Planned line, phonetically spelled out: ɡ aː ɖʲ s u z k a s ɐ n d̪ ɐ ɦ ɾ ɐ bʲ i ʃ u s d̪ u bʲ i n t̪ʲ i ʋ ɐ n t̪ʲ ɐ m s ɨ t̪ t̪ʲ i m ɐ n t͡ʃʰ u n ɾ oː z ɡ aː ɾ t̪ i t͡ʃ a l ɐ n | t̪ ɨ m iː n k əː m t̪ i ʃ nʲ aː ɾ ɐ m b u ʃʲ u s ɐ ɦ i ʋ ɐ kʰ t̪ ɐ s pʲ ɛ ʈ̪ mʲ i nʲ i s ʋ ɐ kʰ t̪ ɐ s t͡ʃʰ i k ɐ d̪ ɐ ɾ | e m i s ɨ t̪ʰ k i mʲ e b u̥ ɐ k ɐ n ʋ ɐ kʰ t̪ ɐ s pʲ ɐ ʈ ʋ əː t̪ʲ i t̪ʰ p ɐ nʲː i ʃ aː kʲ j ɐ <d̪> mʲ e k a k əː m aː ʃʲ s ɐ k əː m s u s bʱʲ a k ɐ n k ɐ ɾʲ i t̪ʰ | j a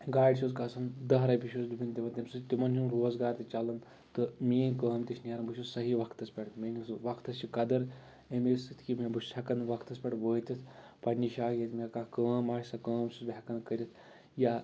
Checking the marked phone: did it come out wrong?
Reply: yes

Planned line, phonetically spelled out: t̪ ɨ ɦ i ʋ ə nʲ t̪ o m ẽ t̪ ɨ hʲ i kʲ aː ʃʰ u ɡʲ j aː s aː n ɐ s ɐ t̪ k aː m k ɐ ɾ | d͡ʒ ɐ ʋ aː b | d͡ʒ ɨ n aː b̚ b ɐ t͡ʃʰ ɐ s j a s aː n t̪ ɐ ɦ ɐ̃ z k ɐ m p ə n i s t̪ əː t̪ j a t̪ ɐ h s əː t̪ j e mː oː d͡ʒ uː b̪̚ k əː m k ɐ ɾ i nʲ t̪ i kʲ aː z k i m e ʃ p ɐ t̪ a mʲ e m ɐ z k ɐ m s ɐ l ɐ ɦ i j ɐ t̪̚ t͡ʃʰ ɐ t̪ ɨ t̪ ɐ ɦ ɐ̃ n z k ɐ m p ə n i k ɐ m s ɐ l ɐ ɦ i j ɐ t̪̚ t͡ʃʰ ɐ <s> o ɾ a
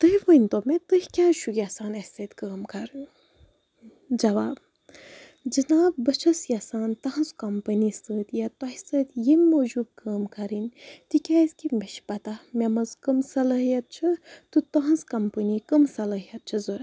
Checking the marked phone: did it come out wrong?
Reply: yes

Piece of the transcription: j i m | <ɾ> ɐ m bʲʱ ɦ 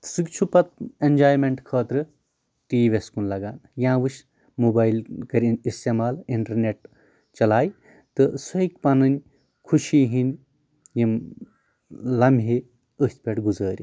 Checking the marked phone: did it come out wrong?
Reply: yes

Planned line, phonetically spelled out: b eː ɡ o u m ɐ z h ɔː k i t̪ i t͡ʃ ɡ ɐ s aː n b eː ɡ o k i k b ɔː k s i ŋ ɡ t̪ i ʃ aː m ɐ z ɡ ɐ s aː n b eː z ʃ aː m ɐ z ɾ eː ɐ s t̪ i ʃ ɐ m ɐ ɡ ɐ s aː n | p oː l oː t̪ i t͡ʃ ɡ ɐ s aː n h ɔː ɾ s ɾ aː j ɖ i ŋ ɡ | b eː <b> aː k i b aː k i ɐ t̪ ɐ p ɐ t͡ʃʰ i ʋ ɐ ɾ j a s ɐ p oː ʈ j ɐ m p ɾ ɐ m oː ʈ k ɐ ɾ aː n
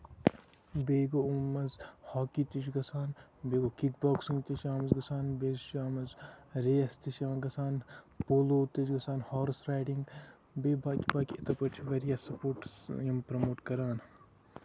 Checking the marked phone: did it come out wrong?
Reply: no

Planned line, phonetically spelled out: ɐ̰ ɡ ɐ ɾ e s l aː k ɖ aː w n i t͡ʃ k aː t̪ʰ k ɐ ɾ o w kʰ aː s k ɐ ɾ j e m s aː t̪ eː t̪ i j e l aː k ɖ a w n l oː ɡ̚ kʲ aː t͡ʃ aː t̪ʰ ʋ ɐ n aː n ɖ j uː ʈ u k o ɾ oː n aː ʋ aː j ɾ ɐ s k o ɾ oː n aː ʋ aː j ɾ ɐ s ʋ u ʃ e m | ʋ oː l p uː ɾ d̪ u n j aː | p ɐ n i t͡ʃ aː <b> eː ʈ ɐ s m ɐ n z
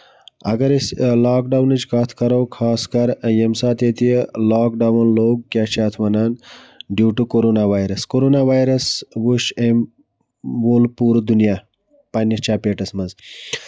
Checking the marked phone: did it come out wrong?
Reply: yes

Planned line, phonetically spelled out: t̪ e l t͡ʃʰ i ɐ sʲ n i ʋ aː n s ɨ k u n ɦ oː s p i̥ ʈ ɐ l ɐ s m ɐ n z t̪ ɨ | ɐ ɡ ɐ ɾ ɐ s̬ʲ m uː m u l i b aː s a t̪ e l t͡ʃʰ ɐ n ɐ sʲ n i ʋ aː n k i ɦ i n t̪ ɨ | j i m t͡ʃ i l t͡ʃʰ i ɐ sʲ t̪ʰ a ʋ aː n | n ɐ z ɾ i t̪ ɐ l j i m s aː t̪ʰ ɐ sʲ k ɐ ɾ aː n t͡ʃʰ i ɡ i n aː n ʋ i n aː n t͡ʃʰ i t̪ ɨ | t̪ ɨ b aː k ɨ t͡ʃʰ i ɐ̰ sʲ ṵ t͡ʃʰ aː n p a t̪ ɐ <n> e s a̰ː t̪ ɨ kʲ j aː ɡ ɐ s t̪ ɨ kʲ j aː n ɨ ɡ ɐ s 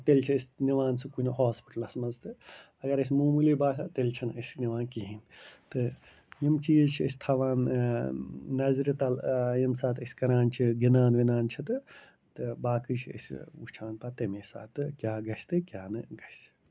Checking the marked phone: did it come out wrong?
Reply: yes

